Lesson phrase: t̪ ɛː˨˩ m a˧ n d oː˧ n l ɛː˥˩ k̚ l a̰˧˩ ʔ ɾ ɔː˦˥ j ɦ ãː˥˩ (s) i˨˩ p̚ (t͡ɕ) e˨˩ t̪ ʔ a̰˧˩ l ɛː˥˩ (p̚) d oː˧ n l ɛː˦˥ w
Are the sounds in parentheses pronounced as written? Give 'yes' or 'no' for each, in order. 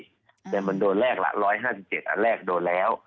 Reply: yes, yes, no

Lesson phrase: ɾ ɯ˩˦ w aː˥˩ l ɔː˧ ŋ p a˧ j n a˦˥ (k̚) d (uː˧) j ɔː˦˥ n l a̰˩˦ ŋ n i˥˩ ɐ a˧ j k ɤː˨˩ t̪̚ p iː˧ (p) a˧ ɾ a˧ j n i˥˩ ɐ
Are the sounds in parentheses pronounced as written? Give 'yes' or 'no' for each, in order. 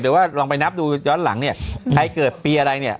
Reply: no, yes, no

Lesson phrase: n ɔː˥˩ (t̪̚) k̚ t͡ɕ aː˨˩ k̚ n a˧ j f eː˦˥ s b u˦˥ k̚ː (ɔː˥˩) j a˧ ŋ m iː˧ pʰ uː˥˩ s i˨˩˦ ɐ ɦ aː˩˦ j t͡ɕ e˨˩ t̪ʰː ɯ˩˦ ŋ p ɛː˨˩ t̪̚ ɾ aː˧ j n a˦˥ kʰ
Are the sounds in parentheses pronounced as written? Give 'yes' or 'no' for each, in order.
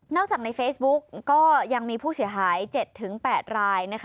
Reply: no, yes

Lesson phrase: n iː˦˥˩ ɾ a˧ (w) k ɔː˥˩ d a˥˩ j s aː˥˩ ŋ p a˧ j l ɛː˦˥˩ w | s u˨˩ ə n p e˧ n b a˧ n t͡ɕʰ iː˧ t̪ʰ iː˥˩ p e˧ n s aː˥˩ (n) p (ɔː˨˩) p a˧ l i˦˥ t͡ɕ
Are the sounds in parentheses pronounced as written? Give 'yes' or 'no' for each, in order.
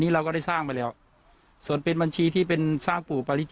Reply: yes, no, no

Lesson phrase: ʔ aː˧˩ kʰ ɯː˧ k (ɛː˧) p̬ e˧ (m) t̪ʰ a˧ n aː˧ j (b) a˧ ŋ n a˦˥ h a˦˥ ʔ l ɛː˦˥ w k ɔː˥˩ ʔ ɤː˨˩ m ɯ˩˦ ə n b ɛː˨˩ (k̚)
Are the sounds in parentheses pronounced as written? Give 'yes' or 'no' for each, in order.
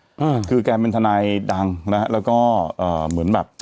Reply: yes, no, no, no

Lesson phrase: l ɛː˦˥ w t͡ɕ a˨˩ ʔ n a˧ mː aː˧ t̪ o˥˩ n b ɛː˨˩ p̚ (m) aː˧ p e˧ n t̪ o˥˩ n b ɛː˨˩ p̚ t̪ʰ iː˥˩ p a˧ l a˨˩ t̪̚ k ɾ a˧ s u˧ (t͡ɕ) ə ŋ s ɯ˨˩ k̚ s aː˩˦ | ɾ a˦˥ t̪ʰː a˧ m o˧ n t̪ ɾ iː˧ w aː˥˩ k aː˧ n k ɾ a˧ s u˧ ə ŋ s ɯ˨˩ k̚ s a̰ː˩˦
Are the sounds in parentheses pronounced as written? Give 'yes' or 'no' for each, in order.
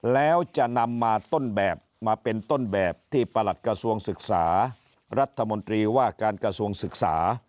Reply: yes, no

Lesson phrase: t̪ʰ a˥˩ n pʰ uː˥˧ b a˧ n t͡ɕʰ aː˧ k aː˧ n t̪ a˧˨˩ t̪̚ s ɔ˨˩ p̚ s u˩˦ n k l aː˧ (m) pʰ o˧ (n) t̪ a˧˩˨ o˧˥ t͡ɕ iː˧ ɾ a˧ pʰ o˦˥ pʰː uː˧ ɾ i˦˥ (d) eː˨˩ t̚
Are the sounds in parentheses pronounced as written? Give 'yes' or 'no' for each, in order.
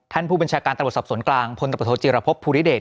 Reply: no, yes, yes

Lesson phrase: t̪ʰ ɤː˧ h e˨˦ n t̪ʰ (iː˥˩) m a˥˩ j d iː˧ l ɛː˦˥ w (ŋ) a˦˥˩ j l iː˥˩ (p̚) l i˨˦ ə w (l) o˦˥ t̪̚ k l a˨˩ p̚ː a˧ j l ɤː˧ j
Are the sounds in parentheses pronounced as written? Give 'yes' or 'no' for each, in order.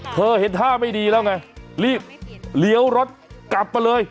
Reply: no, yes, yes, no

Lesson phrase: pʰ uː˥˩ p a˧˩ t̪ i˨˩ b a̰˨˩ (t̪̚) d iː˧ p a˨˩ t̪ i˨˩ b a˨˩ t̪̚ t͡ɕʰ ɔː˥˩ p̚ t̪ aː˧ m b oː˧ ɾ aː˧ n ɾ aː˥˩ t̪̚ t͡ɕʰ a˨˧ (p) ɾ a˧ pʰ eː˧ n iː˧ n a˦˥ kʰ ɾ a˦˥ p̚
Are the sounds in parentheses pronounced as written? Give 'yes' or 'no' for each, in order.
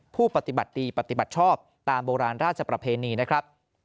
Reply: yes, yes

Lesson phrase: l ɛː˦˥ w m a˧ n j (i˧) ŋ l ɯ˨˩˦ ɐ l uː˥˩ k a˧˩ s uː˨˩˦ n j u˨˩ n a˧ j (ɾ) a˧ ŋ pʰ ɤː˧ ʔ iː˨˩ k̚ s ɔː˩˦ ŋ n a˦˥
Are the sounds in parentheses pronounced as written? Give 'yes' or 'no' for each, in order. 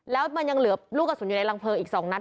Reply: no, no

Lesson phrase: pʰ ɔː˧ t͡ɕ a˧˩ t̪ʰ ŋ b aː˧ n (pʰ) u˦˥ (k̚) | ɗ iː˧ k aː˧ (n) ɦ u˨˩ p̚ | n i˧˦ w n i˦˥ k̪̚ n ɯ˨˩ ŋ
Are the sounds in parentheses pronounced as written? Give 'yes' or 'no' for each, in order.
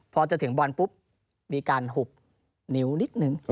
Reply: no, no, yes

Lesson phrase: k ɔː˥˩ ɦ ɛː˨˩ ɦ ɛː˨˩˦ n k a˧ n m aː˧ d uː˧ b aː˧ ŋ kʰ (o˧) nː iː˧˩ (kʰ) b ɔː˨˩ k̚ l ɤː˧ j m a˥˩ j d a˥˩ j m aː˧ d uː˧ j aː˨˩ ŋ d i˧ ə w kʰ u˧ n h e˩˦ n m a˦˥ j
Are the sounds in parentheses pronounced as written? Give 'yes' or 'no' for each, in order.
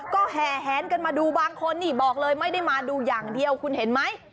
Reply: yes, no

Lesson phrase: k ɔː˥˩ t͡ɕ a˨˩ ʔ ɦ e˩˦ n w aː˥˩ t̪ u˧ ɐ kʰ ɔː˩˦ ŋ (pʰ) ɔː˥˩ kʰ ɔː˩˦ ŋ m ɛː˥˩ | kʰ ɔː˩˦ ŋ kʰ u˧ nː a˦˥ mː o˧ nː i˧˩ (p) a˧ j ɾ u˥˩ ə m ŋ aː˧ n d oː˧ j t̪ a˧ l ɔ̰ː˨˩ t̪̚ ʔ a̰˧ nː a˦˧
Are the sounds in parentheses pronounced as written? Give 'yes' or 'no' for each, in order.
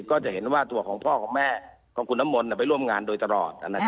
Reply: yes, yes

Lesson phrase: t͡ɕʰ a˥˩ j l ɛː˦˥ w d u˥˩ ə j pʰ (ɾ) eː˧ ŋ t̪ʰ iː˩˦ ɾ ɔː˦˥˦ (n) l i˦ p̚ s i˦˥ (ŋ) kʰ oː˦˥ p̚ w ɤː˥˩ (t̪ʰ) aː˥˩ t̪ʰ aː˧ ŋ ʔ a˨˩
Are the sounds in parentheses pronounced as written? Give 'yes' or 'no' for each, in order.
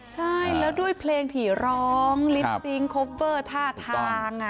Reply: no, no, yes, yes

